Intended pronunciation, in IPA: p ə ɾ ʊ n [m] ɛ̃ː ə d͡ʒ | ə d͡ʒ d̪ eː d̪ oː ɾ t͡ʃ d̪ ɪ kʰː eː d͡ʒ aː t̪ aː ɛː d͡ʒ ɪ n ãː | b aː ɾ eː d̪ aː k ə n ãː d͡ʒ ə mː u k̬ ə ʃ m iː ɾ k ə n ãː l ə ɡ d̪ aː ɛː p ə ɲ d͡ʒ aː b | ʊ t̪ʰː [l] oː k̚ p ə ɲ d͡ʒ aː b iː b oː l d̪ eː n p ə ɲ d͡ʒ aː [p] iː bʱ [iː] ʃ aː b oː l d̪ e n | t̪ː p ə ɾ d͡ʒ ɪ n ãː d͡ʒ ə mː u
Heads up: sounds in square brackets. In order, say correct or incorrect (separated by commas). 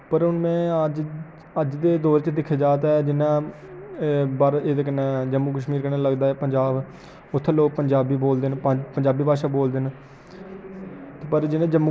correct, correct, incorrect, incorrect